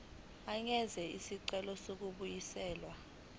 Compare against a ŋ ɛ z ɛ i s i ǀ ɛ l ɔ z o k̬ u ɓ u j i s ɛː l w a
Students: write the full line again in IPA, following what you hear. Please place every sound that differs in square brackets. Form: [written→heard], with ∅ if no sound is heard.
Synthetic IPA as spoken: a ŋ ɛ z ɛ i s i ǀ ɛ l ɔ [z→s] o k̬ u ɓ u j i s ɛː l w a